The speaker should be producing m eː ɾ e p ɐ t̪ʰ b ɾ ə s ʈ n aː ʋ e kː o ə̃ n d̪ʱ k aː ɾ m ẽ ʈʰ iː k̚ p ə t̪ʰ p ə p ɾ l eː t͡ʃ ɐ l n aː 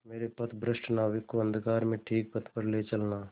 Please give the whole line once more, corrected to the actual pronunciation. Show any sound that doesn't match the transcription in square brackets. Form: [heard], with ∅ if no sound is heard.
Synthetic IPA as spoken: m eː ɾ e p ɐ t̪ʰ b ɾ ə s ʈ n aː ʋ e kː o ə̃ n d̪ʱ k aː ɾ m ẽ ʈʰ iː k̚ p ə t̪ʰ p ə [∅] ɾ l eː t͡ʃ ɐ l n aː

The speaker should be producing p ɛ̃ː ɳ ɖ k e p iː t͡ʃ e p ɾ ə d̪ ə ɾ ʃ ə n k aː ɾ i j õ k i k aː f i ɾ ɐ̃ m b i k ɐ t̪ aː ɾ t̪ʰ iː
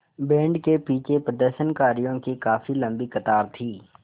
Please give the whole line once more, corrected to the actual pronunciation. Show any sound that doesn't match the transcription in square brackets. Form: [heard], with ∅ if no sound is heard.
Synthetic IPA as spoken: [b] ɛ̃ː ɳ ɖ k e p iː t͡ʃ e p ɾ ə d̪ ə ɾ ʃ ə n k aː ɾ i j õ k i k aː f i [l] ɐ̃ m b i k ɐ t̪ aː ɾ t̪ʰ iː

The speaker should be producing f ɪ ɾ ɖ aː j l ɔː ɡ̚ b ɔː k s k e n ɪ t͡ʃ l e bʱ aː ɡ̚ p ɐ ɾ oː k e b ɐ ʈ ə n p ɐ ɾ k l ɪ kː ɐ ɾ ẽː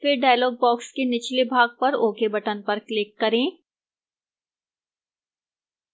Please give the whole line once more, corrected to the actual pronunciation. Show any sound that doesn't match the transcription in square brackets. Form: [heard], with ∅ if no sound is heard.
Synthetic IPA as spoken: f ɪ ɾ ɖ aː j l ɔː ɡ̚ b ɔː k s k e n ɪ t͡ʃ l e bʱ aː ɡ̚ p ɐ ɾ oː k e b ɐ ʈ ə n p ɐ ɾ k l ɪ kː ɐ ɾ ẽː

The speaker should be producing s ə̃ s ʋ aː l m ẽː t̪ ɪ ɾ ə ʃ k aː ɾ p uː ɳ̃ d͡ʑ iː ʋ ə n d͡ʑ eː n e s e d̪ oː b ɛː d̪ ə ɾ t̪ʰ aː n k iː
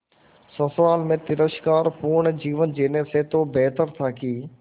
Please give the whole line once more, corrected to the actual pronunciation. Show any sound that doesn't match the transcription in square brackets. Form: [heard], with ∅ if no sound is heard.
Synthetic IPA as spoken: s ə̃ s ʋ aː l m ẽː t̪ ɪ ɾ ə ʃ k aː ɾ p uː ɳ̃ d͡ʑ iː ʋ ə n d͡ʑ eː n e s e [t̪] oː b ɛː [t̪] ə ɾ t̪ʰ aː [∅] k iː

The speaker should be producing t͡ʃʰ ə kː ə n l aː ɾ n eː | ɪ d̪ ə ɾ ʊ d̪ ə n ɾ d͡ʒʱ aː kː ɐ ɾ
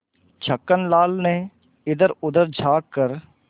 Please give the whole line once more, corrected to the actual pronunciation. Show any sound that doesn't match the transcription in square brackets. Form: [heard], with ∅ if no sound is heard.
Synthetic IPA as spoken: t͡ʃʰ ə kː ə n l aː [l] n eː | ɪ d̪ ə ɾ ʊ d̪ ə [∅] ɾ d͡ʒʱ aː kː [ə] ɾ

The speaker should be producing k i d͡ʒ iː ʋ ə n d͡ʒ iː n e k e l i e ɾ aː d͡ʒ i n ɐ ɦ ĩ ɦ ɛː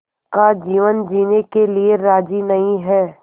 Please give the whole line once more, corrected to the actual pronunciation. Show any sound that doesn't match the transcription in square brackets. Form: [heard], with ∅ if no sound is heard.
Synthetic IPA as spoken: k [a] d͡ʒ iː ʋ ə n d͡ʒ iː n e k e l i e ɾ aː d͡ʒ i n ɐ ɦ ĩ ɦ ɛː

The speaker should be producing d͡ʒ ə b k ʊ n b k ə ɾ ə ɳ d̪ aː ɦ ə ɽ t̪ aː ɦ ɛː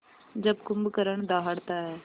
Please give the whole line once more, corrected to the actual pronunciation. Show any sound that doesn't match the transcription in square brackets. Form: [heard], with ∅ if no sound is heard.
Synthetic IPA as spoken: d͡ʒ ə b k ʊ [m] b k ə ɾ ə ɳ d̪ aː ɦ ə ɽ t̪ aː ɦ ɛː

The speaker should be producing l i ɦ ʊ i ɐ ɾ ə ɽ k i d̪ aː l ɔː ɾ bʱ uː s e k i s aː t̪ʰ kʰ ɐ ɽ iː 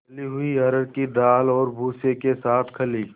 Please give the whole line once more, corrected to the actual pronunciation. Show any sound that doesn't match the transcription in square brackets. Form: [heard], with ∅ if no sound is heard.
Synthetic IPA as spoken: l i ɦ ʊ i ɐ ɾ ə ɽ k i d̪ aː l ɔː ɾ bʱ uː s e k [e] s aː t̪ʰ kʰ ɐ [l] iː

